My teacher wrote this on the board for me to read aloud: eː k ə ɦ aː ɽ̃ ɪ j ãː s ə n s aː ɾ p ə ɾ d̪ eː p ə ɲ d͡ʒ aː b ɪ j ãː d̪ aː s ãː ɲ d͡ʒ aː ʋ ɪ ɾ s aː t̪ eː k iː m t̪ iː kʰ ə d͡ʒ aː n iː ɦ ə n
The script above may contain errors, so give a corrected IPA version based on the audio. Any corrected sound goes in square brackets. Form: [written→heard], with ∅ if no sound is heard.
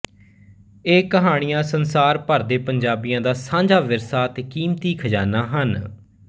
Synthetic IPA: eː k ə ɦ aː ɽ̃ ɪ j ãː s ə n s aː ɾ p ə ɾ d̪ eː p ə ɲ d͡ʒ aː b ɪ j ãː d̪ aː s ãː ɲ d͡ʒ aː ʋ ɪ ɾ s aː t̪ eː k iː m t̪ iː kʰ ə d͡ʒ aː n [iː→aː] ɦ ə n

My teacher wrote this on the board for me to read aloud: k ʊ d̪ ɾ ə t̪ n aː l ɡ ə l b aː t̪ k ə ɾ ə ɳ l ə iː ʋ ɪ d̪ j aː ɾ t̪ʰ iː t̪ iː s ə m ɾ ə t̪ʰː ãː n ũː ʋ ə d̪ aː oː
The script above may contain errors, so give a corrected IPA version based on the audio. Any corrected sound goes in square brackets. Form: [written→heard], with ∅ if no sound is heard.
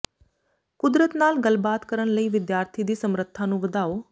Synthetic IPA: k ʊ d̪ ɾ ə t̪ n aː l ɡ ə l b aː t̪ k ə ɾ ə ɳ l ə iː ʋ ɪ d̪ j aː ɾ t̪ʰ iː [t̪→d̪] iː s ə m ɾ ə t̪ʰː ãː n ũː ʋ ə d̪ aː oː

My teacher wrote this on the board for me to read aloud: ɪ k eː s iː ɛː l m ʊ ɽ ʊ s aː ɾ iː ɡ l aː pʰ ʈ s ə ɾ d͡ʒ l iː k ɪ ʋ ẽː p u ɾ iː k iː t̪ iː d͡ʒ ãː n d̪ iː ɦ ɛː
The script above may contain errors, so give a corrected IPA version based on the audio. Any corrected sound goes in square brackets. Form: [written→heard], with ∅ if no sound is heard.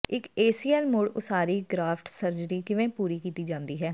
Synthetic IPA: ɪ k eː s iː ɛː l m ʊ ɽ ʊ s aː ɾ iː ɡ [l→ɾ] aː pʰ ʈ s ə ɾ d͡ʒ [l→ɾ] iː k ɪ ʋ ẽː p [u→uː] ɾ iː k iː t̪ iː d͡ʒ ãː n d̪ iː ɦ ɛː

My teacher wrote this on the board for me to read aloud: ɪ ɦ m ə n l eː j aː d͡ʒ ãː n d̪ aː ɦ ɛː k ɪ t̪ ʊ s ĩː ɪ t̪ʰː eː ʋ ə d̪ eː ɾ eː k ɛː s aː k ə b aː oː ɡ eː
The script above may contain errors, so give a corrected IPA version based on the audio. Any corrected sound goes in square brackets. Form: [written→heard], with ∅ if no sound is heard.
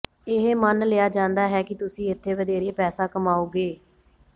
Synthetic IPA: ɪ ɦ m ə n l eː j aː d͡ʒ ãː n d̪ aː ɦ ɛː k ɪ t̪ ʊ s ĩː ɪ t̪ʰː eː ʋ ə d̪ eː ɾ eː [k→p] ɛː s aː k ə [b→m] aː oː ɡ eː

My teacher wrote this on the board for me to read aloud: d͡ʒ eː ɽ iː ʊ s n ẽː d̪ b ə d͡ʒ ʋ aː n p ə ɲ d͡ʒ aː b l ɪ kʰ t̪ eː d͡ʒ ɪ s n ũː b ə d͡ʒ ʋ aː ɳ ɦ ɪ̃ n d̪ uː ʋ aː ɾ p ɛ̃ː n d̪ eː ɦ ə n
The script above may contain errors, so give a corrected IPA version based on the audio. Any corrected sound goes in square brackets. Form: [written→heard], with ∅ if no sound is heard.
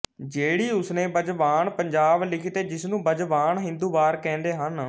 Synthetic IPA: d͡ʒ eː ɽ iː ʊ s n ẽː [d̪→∅] b ə d͡ʒ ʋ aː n p ə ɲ d͡ʒ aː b l ɪ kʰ t̪ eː d͡ʒ ɪ s n ũː b ə d͡ʒ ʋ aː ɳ ɦ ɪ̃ n d̪ uː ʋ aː ɾ [p→k] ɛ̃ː n d̪ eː ɦ ə n

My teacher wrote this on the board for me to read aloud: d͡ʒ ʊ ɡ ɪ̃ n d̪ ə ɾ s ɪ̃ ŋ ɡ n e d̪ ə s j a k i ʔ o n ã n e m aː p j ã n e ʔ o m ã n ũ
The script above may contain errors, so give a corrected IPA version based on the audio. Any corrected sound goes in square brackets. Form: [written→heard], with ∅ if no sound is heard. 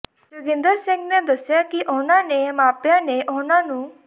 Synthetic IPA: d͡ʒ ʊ ɡ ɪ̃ n d̪ ə ɾ s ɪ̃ ŋ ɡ n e d̪ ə s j a k i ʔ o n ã n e m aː p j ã n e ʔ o [m→n] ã n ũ

